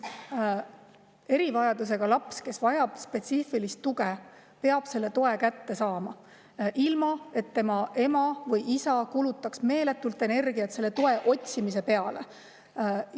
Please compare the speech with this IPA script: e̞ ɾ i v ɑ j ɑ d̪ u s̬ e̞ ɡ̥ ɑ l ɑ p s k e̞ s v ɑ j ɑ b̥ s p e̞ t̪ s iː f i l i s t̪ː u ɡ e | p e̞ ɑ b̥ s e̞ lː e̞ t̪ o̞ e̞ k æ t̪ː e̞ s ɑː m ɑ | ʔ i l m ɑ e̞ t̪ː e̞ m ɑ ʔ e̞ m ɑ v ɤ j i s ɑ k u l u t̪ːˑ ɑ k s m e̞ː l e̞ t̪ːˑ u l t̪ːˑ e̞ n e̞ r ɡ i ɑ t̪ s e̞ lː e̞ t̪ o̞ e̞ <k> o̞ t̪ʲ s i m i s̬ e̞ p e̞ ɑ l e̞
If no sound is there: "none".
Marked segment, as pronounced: ʔ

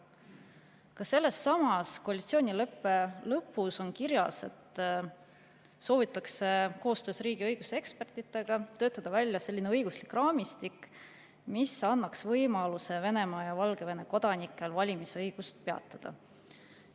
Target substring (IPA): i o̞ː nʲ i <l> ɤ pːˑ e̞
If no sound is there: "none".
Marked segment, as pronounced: l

